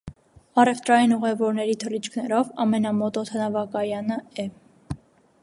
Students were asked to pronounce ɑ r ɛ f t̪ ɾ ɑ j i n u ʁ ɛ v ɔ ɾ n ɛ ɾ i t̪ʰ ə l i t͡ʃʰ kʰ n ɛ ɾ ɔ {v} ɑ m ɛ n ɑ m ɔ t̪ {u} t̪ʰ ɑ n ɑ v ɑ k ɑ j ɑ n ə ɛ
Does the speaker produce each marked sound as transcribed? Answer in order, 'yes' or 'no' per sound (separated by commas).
yes, no